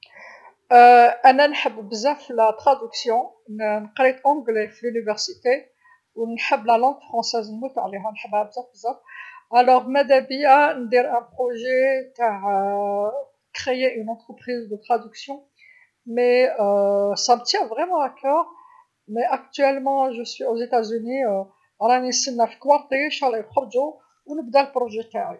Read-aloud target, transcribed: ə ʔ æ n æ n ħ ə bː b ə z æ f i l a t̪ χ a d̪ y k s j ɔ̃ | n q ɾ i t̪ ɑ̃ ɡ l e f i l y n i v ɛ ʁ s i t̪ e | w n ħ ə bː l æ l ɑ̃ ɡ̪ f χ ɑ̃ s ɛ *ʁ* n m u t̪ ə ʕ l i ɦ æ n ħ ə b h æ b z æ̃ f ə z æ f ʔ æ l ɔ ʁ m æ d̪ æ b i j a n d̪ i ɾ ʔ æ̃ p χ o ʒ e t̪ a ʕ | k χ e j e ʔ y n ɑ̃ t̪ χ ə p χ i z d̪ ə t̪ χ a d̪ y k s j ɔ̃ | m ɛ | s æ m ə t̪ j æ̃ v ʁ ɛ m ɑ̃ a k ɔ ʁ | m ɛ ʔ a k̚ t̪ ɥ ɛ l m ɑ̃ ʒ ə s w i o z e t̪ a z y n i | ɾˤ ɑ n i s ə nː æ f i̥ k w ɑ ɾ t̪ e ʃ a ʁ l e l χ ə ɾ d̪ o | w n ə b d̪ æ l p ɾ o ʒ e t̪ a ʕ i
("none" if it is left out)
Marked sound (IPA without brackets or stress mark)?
z